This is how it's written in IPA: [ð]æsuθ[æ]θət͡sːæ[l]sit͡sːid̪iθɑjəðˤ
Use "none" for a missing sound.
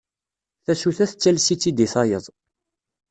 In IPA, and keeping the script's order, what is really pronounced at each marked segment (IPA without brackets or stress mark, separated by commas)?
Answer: θ, æ, l